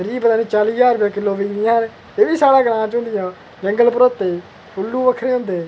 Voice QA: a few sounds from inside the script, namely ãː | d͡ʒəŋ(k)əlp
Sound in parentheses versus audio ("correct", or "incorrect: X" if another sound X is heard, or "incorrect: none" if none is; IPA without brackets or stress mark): incorrect: ɡ